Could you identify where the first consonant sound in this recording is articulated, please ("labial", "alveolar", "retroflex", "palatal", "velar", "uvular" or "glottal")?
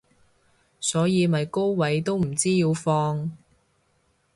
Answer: alveolar